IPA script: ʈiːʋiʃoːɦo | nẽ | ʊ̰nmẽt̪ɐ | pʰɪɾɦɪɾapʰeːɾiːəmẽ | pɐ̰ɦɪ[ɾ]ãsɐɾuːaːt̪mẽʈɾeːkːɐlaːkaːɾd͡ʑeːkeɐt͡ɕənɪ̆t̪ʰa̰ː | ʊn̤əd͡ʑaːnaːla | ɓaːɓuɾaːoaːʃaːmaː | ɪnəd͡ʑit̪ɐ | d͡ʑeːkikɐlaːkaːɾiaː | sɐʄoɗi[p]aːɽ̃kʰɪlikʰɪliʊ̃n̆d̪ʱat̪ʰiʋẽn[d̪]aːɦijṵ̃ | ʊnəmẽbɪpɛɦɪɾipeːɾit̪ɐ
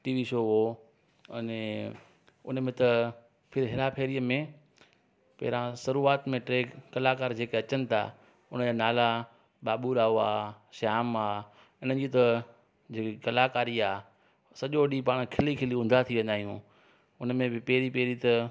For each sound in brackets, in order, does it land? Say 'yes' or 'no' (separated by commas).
yes, yes, yes